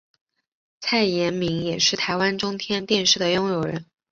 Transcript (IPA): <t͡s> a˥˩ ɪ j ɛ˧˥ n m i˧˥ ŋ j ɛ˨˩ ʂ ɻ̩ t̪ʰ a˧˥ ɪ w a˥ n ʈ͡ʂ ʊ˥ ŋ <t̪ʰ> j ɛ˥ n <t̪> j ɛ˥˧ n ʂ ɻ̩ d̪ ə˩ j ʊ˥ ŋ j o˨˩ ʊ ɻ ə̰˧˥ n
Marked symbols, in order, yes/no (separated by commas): no, yes, yes